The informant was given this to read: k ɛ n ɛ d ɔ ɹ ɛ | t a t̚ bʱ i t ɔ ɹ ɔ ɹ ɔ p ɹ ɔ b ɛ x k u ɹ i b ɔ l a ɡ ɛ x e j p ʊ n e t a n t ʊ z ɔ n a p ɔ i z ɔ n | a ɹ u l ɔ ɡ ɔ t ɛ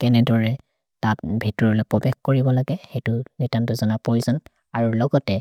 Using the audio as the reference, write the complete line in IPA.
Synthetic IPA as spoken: k ɛ n ɛ d ɔ ɹ ɛ | t a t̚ bʱ i t ɔ ɹ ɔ l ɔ p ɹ ɔ b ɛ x k o ɹ i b ɔ l a ɡ ɛ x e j t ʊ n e t a n t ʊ z ɔ n a p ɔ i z ɔ n | a ɹ u l ɔ ɡ ɔ t ɛ